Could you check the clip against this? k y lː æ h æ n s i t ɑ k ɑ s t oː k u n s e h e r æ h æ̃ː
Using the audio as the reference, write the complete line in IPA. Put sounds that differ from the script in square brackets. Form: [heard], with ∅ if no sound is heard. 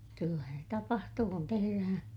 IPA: k y lː æ h æ n s [e] t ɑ [p] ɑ [h] t [uː] k u n [t] e h e r æ h æ̃ː